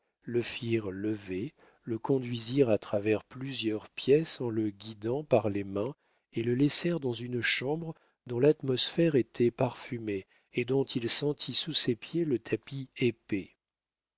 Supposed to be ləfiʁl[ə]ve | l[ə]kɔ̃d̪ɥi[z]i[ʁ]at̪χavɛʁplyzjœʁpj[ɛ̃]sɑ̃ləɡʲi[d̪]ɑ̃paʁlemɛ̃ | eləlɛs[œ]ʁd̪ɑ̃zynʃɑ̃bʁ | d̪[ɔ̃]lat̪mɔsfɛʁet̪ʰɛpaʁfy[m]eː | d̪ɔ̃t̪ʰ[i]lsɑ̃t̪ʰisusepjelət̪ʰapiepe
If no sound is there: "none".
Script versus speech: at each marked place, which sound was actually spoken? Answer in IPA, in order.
ə, ə, z, ʁ, ɛ, d̪, ɛ, ɔ̃, m, i

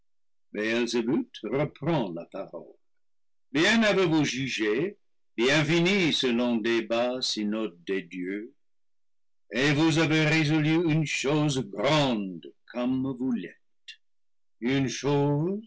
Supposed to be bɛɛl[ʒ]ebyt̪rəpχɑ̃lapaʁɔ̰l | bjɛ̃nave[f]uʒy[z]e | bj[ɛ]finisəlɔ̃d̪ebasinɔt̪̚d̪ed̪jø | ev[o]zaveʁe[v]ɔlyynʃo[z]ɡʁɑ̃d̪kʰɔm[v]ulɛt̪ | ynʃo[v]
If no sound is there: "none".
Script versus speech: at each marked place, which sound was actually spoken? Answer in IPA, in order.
z, v, ʒ, ɛ̃, u, z, z, v, z

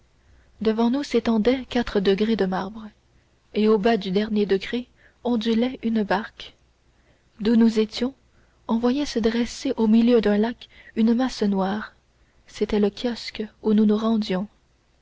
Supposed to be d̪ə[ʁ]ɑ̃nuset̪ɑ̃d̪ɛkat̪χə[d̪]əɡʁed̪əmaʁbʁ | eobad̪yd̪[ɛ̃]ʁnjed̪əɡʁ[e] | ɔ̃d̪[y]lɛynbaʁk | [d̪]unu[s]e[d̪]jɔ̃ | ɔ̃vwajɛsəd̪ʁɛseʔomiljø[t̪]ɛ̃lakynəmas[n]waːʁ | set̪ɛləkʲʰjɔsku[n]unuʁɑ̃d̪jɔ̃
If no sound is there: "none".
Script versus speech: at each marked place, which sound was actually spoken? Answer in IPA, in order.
v, d̪, ɛ, e, y, d̪, z, t̪, d̪, n, n

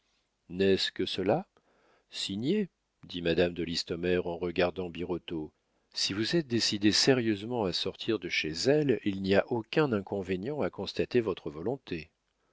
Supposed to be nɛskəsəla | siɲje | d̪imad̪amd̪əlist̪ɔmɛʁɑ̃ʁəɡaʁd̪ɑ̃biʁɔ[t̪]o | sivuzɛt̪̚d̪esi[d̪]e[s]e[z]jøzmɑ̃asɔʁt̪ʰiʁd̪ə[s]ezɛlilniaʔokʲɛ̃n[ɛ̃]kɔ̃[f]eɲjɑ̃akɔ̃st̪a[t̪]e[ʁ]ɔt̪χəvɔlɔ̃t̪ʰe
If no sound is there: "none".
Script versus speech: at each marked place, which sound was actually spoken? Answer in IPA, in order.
t̪, d̪, s, ʁ, ʃ, ɛ̃, v, t̪, v

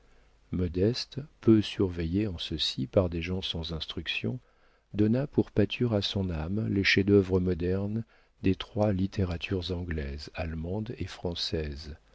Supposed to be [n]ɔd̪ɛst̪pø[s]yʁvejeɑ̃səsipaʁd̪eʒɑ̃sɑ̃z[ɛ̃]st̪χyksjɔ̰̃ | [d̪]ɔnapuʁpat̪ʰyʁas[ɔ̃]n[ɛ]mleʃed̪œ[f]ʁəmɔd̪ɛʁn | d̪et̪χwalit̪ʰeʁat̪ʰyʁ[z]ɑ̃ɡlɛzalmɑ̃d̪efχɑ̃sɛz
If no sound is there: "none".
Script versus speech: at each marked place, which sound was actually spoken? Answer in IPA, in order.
m, s, ɛ̃, d̪, ɔ̃, a, v, z

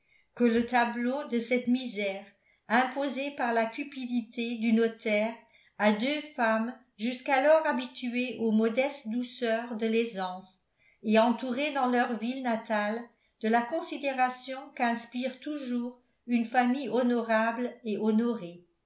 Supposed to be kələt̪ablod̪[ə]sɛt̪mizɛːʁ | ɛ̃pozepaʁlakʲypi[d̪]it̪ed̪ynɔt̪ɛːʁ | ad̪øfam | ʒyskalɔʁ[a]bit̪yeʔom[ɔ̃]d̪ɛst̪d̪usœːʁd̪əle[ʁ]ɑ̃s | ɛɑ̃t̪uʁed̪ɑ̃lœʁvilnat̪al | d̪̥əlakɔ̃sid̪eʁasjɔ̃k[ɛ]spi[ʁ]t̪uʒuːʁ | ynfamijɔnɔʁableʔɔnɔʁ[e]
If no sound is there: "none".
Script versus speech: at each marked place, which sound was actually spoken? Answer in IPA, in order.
ə, d̪, a, ɔ, z, ɛ̃, ʁ, e

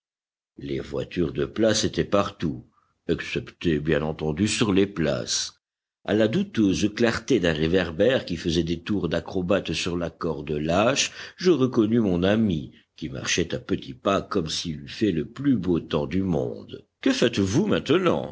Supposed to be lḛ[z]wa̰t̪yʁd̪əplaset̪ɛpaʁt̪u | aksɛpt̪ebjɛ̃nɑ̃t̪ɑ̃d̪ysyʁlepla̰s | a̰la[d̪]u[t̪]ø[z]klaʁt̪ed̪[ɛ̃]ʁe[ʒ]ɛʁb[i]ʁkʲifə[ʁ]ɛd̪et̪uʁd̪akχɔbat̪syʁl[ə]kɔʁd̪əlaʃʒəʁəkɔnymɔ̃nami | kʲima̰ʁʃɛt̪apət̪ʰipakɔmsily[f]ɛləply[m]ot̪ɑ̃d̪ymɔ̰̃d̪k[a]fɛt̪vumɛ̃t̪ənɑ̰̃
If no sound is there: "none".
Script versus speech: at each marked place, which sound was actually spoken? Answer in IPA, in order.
v, d̪, t̪, z, ɛ̃, v, ɛ, z, a, f, b, ə

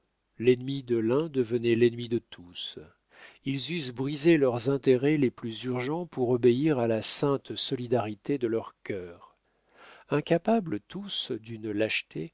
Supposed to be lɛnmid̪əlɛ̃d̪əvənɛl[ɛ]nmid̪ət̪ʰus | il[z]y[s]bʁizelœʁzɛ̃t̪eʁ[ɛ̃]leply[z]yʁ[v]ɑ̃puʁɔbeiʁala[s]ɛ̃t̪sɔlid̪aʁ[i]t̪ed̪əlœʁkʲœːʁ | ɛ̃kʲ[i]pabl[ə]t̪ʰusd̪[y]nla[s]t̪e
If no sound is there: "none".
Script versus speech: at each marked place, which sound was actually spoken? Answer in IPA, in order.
ɛ, z, s, ɛ, z, ʒ, s, i, a, ə, y, ʃ

